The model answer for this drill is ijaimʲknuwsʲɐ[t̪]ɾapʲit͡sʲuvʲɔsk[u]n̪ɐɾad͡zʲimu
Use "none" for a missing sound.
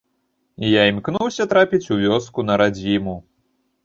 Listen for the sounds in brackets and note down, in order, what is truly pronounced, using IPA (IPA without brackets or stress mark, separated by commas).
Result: t̪, u